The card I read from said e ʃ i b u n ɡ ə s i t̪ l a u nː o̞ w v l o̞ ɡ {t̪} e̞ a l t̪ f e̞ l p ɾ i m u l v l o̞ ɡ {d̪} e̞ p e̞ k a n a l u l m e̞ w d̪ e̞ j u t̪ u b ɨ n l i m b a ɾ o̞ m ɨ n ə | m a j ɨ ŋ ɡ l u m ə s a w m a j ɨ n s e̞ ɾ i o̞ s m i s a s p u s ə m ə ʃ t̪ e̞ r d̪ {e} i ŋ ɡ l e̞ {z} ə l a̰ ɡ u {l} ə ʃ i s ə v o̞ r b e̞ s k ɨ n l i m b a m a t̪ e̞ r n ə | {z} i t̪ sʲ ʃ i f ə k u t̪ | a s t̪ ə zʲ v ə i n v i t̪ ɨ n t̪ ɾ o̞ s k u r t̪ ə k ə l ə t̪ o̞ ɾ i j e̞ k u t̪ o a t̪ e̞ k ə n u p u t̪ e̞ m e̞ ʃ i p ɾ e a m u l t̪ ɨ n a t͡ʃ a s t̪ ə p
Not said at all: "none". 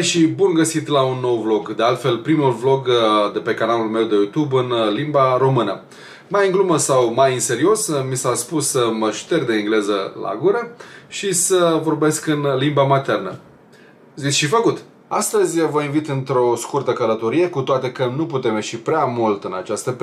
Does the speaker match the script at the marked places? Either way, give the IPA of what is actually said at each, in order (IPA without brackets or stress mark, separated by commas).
d̪, d̪, e, z, ɾ, z